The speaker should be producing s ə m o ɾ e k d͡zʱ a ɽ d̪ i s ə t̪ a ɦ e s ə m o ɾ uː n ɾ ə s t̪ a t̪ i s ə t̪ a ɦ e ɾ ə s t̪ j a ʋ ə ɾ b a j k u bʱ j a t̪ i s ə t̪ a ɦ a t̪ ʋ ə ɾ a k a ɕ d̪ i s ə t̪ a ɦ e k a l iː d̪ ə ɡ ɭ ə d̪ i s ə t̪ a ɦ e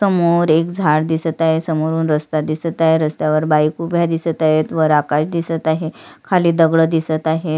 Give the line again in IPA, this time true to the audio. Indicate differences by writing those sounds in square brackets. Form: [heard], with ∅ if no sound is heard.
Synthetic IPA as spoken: s ə m o ɾ e k d͡zʱ a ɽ d̪ i s ə t̪ a ɦ e s ə m o ɾ uː n ɾ ə s t̪ a [d̪] i s ə t̪ a ɦ e ɾ ə s t̪ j a ʋ ə ɾ b a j k u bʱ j a [d̪] i s ə t̪ a ɦ [e] t̪ ʋ ə ɾ a k a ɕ d̪ i s ə t̪ a ɦ e [kʰ] a l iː d̪ ə ɡ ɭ ə d̪ i s ə t̪ a ɦ e